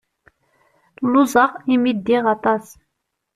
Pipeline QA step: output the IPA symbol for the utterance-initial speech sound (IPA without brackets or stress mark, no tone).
l